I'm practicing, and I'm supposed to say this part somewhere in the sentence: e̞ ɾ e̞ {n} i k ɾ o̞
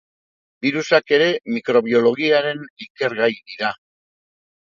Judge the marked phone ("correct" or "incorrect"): incorrect